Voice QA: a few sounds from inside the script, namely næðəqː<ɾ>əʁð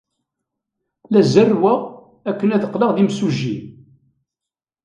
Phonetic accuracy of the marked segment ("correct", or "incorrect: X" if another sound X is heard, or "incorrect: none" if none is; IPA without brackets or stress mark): incorrect: l